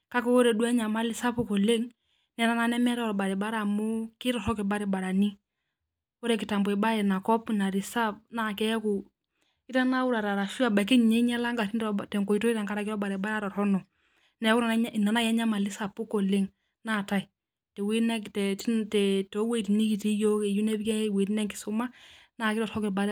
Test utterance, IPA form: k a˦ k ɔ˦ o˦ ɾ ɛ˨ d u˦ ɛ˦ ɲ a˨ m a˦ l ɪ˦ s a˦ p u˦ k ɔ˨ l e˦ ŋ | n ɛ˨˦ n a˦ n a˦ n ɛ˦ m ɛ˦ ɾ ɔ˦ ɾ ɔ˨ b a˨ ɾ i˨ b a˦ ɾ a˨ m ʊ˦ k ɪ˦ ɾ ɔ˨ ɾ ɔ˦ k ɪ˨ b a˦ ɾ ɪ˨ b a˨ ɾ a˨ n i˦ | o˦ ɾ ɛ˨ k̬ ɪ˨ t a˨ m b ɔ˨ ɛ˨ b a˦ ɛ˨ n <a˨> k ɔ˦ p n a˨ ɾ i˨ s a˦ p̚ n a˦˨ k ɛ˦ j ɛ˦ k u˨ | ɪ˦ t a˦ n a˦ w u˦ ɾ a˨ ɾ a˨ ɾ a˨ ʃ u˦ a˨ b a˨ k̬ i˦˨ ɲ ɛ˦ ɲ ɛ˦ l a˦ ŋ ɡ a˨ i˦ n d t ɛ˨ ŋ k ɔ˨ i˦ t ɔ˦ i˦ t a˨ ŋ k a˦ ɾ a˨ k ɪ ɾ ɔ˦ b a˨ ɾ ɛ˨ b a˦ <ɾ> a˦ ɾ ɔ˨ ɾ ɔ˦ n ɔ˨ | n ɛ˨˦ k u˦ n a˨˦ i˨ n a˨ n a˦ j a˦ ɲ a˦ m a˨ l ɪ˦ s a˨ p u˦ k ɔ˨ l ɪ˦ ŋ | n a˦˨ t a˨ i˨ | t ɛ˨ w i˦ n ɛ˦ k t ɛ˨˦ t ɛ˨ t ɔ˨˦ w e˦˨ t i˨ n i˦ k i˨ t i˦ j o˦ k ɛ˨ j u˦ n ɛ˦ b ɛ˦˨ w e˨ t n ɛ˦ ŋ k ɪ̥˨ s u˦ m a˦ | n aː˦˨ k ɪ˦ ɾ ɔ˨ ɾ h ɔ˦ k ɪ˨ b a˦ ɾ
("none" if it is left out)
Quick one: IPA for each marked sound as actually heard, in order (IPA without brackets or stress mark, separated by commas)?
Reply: a˨, ɾ